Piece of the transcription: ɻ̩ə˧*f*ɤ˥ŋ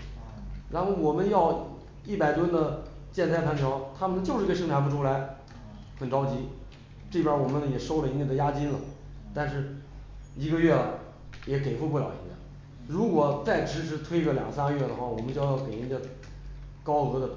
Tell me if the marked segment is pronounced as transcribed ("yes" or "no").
no